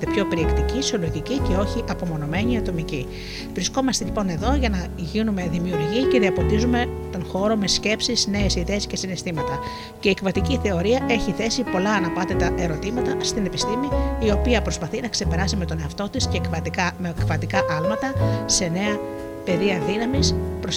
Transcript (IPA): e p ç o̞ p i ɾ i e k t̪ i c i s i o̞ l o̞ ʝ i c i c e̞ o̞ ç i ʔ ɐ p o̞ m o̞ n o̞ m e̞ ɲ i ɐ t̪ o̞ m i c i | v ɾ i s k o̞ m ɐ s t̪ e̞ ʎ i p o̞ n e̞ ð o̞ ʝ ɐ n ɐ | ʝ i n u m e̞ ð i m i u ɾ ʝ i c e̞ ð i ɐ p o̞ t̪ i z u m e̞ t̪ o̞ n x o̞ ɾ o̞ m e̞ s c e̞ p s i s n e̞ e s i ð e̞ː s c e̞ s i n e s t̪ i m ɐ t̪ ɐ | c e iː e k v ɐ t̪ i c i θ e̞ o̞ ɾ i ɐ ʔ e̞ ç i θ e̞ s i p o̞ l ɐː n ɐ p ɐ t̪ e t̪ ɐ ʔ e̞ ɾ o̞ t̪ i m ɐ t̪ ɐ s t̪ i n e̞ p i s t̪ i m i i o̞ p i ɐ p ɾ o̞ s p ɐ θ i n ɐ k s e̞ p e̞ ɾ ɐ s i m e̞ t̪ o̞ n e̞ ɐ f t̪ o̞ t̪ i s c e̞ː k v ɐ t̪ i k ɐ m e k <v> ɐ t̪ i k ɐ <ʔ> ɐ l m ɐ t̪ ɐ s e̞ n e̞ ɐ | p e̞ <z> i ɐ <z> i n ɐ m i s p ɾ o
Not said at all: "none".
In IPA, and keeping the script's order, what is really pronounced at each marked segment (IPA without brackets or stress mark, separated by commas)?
v, ʔ, ð, ð